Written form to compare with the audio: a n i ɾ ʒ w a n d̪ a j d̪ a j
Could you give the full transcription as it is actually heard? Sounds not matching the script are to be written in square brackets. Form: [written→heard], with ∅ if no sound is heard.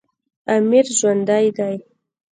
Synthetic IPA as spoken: a [n→m] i ɾ ʒ w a n d̪ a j d̪ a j